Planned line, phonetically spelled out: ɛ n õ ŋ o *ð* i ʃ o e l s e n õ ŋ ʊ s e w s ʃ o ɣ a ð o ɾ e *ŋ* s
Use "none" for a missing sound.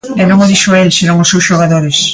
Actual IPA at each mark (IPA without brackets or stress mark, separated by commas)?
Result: ð, none